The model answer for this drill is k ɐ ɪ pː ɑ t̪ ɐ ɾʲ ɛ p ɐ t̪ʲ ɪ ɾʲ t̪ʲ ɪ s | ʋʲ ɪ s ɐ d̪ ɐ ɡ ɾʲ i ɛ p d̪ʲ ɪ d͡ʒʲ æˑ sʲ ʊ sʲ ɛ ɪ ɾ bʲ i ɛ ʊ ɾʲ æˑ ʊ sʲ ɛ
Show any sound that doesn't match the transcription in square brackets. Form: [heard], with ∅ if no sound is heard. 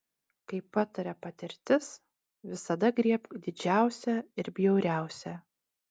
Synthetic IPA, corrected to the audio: k ɐ ɪ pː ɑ t̪ ɐ ɾʲ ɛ p ɐ t̪ʲ ɪ ɾʲ t̪ʲ ɪ s | ʋʲ ɪ s ɐ d̪ ɐ ɡ ɾʲ i ɛ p d̪ʲ ɪ d͡ʒʲ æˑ [∅] ʊ sʲ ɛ ɪ ɾ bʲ [j] ɛ ʊ ɾʲ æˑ ʊ sʲ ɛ